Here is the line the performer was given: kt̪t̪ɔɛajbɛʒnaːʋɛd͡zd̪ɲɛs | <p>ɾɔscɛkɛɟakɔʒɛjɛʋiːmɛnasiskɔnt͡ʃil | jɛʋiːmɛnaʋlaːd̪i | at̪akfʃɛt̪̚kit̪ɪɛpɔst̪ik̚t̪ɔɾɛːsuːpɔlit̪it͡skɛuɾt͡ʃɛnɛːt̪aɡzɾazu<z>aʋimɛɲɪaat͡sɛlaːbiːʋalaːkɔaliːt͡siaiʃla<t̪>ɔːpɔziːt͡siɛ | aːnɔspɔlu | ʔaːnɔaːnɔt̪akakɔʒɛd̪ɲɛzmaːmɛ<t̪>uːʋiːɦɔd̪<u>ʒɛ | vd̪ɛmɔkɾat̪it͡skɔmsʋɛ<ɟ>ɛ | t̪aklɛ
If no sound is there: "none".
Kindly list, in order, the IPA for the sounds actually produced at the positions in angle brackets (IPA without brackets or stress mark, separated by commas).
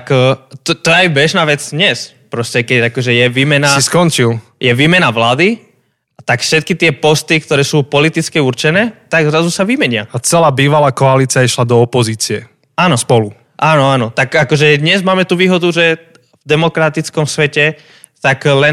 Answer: p, s, d̪, t̪, u, c